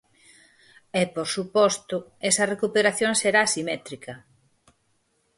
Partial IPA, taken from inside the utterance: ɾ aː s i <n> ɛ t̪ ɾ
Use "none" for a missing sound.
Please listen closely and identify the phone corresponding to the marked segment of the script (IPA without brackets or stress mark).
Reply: m